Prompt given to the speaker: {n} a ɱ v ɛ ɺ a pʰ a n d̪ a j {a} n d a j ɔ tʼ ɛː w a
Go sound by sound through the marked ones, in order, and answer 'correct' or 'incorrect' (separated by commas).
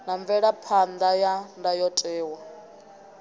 correct, correct